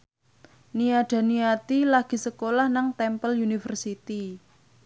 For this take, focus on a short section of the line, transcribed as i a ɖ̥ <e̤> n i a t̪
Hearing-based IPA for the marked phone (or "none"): a̤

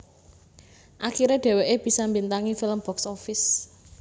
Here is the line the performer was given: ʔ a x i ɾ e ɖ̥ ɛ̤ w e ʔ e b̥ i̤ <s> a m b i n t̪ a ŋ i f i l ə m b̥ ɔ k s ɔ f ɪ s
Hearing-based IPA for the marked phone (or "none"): s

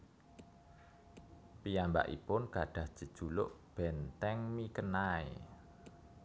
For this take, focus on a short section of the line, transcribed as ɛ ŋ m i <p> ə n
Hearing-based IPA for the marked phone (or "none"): k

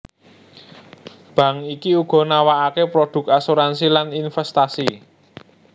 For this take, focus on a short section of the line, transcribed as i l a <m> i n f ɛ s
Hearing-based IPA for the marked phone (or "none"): n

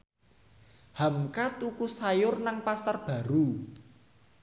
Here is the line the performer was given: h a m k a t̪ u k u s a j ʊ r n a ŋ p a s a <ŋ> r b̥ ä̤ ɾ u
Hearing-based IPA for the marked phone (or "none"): none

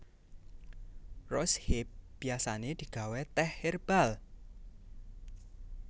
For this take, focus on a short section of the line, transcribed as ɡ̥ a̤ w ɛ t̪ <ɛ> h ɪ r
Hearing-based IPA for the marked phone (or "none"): ɛ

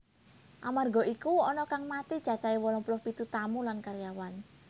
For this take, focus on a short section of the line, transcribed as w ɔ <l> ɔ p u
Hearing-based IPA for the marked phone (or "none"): l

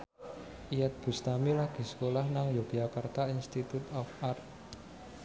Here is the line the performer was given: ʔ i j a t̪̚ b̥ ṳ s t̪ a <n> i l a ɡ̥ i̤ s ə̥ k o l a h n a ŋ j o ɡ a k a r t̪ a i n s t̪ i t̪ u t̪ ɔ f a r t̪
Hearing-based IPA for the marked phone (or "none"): m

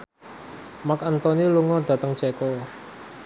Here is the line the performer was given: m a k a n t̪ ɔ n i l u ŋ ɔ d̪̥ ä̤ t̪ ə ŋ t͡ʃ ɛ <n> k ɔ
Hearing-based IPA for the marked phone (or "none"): none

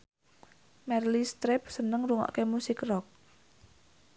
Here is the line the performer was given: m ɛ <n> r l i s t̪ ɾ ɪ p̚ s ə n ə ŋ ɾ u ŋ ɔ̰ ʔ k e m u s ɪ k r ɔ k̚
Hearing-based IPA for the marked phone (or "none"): none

